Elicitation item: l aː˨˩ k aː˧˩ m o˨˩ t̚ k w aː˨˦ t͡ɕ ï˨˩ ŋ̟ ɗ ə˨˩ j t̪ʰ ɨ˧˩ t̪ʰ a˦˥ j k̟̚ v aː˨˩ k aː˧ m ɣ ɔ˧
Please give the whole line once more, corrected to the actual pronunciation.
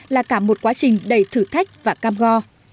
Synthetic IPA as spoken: l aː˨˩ k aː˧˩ m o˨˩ t̚ k w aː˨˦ t͡ɕ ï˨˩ ŋ̟ ɗ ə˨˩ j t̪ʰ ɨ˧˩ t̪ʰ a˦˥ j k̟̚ v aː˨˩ k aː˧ m ɣ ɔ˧